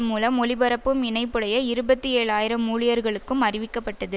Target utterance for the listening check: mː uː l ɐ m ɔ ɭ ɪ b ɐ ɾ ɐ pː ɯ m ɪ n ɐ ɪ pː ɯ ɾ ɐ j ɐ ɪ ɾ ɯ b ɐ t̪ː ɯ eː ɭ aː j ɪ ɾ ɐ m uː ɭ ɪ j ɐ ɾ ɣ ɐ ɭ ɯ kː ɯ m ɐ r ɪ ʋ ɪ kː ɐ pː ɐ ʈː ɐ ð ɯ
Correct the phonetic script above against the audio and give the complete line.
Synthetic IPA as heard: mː uː l ɐ m ɔ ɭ ɪ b ɐ ɾ ɐ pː ɯ m ɪ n ɐ ɪ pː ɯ ɽ ɐ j ɐ ɪ ɾ ɯ b ɐ t̪ː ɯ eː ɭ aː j ɪ ɾ ɐ m uː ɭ ɪ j ɐ ɾ ɣ ɐ ɭ ɯ kː ɯ m ɐ r ɪ ʋ ɪ kː ɐ pː ɐ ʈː ɐ ð ɯ

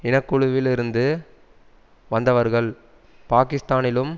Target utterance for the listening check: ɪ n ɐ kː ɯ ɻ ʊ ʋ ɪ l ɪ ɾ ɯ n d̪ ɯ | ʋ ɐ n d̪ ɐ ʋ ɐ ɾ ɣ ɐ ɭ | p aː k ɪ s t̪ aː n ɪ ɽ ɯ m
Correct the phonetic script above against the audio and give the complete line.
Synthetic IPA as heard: ɪ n ɐ kː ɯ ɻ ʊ ʋ ɪ l ɪ ɾ ɯ n d̪ ɯ | ʋ ɐ n d̪ ɐ ʋ ɐ ɾ ɣ ɐ ɭ | p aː k ɪ s t̪ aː n ɪ l ɯ m

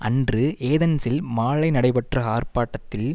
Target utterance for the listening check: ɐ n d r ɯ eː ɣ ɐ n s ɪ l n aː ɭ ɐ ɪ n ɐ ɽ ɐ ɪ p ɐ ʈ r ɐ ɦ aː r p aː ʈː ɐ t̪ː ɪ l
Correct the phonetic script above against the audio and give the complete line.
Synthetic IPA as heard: ɐ n d r ɯ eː ð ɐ n s ɪ l m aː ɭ ɐ ɪ n ɐ ɽ ɐ ɪ p ɐ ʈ r ɐ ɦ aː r p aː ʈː ɐ t̪ː ɪ l

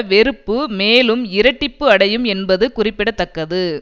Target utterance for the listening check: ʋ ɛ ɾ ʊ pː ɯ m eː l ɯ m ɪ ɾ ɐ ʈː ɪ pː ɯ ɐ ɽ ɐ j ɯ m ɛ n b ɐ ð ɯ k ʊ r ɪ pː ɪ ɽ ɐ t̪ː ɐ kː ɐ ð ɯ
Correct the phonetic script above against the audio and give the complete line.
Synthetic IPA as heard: ʋ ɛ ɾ ɯ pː ɯ m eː l ɯ m ɪ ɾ ɐ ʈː ɪ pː ɯ ɐ ɽ ɐ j ɯ m ɛ n b ɐ ð ɯ k ʊ r ɪ pː ɪ ɽ ɐ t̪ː ɐ kː ɐ ð ɯ

